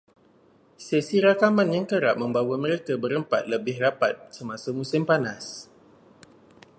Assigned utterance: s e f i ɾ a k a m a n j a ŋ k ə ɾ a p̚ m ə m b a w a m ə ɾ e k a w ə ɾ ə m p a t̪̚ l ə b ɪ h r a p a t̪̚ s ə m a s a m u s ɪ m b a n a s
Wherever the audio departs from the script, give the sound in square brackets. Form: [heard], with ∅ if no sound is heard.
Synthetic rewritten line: s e [s] i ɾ a k a m a n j a ŋ k ə ɾ a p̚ m ə m b a w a m ə ɾ e k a [b] ə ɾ ə m p a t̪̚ l ə b ɪ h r a p a t̪̚ s ə m a s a m u s ɪ m [p] a n a s